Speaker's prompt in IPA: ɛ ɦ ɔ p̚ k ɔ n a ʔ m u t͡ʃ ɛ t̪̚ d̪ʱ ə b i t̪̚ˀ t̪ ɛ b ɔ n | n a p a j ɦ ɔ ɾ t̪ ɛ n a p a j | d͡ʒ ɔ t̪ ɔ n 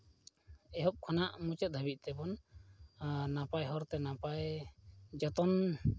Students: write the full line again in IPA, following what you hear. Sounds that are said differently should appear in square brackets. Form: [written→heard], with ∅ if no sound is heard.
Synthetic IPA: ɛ ɦ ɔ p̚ [k→kʰ] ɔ n a ʔ m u t͡ʃ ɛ t̪̚ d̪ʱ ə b i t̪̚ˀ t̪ ɛ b ɔ n | n a p a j ɦ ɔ ɾ t̪ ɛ n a p a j | d͡ʒ ɔ t̪ ɔ n